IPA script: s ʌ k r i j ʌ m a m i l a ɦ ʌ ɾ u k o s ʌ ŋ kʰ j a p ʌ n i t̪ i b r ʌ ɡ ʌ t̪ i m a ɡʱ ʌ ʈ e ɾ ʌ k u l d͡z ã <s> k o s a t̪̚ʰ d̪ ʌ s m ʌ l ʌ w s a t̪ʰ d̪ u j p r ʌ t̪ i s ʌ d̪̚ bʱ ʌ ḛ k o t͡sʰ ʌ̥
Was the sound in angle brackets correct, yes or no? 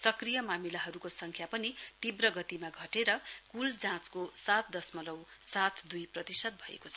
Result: no